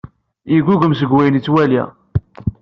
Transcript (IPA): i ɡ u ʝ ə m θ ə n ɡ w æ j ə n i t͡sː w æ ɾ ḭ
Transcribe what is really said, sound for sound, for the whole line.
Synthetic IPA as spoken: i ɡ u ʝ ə m s ə ɡ w æ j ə n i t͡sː w æ l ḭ